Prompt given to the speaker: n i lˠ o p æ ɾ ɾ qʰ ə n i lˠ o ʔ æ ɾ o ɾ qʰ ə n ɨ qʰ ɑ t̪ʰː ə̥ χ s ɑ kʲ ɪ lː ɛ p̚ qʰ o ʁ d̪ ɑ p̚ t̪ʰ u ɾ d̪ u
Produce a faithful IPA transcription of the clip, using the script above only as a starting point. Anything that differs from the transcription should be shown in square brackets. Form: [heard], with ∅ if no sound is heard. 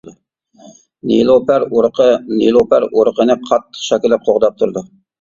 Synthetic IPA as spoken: n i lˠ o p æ ɾ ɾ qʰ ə n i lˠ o [p] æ ɾ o ɾ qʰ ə n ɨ qʰ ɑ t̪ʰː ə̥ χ [ʃ] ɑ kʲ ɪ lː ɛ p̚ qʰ o ʁ d̪ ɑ p̚ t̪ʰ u ɾ d̪ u